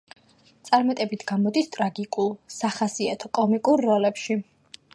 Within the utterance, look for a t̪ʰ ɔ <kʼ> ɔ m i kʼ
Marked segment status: correct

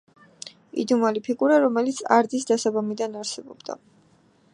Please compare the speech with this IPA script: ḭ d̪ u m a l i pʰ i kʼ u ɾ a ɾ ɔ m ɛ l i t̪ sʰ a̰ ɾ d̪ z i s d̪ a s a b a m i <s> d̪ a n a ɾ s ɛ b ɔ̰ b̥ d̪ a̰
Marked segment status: incorrect: none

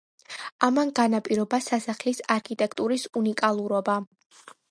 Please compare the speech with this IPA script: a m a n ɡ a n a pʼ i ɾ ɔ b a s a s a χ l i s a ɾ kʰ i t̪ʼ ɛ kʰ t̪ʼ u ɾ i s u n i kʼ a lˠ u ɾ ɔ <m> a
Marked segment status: incorrect: b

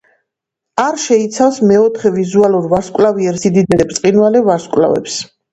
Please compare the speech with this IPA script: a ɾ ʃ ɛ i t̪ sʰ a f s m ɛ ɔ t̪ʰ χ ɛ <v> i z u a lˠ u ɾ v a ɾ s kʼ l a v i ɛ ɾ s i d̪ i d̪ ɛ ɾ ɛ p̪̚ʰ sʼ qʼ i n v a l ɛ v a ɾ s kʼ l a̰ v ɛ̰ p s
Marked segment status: correct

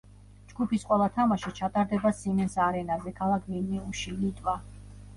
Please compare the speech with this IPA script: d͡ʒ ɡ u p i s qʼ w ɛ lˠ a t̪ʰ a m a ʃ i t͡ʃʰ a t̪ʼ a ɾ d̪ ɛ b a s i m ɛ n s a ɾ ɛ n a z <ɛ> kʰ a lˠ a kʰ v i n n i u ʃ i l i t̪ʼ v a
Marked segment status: correct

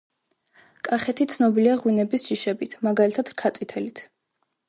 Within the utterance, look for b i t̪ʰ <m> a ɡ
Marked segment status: correct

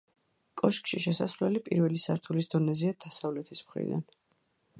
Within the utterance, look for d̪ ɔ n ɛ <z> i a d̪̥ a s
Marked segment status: correct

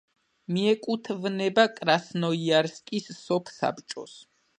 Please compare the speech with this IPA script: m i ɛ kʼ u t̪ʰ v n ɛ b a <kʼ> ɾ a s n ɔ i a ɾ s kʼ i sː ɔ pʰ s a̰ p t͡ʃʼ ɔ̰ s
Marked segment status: correct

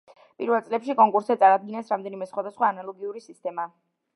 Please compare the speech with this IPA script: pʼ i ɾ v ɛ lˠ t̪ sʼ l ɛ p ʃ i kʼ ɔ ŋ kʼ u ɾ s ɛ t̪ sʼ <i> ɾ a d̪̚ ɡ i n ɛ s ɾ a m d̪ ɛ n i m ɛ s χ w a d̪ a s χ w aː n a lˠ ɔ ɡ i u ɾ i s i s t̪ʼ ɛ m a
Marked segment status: incorrect: a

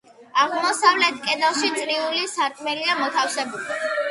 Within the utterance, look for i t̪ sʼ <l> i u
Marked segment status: incorrect: ɾ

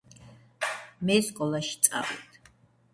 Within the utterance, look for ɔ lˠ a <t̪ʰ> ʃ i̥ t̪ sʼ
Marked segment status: incorrect: none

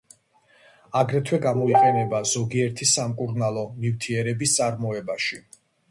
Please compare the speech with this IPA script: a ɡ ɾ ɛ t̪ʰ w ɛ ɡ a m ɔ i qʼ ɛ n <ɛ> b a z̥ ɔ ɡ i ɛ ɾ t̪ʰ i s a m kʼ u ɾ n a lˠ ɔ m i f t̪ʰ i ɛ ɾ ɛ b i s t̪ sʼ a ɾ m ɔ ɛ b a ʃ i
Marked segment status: correct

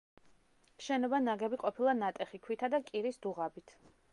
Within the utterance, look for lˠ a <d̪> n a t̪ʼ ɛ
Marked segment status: incorrect: none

